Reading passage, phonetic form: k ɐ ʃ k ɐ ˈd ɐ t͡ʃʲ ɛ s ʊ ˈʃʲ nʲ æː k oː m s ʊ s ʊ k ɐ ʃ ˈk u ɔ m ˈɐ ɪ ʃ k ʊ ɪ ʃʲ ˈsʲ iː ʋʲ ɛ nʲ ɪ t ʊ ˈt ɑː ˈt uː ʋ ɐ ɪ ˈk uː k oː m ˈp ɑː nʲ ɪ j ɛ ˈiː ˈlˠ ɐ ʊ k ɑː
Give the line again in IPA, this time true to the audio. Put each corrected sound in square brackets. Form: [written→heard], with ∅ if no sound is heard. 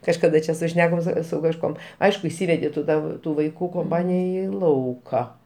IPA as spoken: k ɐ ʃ k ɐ ˈd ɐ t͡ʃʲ ɛ s ʊ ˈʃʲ nʲ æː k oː m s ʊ s ʊ k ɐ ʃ ˈk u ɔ m ˈɐ ɪ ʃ k ʊ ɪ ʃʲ ˈsʲ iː ʋʲ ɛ [nʲ→dʲ] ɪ t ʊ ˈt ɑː ˈt uː ʋ ɐ ɪ ˈk uː k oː m ˈp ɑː nʲ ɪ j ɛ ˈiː ˈlˠ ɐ ʊ k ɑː